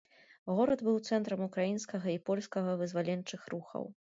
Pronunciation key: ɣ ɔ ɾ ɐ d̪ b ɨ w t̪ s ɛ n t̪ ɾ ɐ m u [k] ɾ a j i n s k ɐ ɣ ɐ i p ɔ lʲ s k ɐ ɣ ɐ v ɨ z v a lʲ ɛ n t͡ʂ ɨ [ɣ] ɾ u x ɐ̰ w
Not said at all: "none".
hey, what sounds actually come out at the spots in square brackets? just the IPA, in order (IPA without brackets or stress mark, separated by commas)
k, x